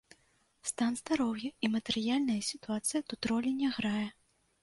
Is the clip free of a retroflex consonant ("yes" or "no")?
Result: yes